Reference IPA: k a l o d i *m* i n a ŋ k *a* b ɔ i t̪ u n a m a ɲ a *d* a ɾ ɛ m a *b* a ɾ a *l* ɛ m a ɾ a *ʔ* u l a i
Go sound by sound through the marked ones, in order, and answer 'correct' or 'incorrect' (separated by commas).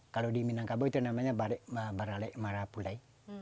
correct, correct, incorrect, correct, correct, incorrect